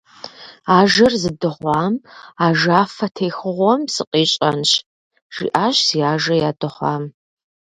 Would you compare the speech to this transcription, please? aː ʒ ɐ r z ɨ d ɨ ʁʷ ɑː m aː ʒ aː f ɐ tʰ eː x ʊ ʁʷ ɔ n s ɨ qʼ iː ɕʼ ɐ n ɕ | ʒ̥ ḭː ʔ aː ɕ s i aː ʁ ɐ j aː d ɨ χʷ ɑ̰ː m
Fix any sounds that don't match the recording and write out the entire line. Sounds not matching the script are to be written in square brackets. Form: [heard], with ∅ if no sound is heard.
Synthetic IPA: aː ʒ ɐ r z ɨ d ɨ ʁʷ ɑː m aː ʒ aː f ɐ tʰ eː x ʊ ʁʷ ɔ [m] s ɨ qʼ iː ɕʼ ɐ n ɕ | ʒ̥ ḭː ʔ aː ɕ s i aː [ʒ] ɐ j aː d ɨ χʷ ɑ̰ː m

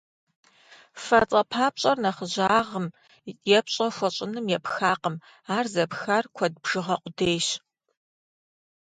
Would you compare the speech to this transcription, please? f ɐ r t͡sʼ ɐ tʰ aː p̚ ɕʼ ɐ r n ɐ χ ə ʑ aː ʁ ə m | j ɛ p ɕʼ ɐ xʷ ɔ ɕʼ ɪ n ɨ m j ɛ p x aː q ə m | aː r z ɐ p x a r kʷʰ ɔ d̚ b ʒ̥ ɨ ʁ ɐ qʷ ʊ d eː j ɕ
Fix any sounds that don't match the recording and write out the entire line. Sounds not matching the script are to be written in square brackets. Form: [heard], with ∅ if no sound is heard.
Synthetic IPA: f ɐ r t͡sʼ ɐ [pʰ] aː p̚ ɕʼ ɐ r n ɐ χ ə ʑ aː ʁ ə m | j ɛ p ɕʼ ɐ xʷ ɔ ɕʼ ɪ n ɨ m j ɛ p x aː q ə m | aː r z ɐ p x a r kʷʰ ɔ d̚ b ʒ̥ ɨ ʁ ɐ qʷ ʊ d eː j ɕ

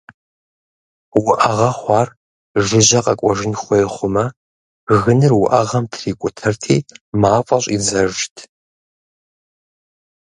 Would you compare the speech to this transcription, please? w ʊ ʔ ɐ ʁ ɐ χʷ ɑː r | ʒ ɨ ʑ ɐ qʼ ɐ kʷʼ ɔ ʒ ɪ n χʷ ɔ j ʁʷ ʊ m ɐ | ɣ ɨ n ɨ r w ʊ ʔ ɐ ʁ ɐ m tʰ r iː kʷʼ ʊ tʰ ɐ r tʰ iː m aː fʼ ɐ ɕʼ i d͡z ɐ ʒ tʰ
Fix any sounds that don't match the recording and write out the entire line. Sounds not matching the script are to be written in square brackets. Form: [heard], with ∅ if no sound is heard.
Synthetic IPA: w ʊ ʔ ɐ ʁ ɐ χʷ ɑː r | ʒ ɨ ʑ ɐ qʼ ɐ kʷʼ ɔ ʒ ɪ n χʷ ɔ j [χʷ] ʊ m ɐ | ɣ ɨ n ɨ r w ʊ ʔ ɐ ʁ ɐ m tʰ r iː kʷʼ ʊ tʰ ɐ r tʰ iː m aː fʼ ɐ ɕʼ i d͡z ɐ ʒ tʰ

